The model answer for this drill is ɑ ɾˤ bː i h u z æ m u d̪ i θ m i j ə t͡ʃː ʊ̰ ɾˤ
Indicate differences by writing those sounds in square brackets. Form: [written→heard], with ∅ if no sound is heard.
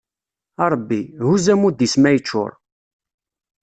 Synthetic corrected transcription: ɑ ɾˤ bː i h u z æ m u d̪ i [θ→s] m [i→æ] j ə t͡ʃː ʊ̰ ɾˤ